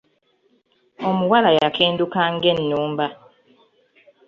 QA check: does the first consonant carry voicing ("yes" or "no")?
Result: yes